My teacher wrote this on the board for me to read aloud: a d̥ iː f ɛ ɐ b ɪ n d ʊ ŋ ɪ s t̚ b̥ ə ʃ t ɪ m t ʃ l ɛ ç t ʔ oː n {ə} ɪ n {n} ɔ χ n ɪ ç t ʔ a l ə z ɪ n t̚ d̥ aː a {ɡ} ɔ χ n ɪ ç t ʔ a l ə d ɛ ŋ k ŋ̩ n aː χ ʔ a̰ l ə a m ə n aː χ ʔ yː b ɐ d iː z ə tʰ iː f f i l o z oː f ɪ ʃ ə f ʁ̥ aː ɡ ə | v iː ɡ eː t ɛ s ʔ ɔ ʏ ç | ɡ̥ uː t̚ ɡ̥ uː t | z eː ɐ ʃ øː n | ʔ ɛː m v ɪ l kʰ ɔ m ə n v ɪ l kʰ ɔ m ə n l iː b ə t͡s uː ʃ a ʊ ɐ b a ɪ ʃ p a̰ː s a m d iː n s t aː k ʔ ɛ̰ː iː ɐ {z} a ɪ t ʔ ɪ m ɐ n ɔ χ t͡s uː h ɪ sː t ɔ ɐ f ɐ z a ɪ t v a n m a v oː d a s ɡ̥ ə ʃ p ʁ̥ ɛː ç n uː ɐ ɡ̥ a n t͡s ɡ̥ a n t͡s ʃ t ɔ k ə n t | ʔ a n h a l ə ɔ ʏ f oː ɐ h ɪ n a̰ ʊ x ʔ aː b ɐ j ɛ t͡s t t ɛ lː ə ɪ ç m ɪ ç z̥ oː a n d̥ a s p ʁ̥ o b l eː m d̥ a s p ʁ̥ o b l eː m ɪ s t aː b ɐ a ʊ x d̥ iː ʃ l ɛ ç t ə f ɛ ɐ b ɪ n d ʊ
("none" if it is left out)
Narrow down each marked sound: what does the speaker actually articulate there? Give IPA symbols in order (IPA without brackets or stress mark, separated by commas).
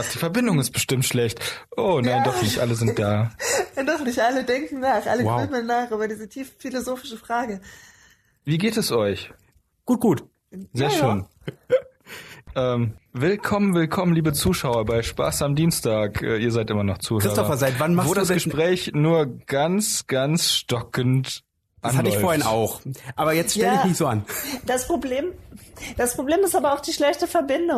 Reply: a, d, d, z